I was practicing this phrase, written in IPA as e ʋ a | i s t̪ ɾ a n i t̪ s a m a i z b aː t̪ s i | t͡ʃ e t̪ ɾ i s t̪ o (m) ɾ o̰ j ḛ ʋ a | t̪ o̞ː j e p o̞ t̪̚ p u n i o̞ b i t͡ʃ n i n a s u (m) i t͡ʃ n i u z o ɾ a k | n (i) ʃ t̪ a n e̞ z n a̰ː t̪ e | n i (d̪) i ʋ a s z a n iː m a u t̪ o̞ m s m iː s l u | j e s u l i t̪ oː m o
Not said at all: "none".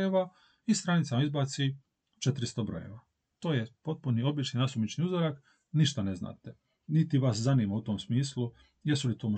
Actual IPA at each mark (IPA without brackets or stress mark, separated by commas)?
b, m, i, t̪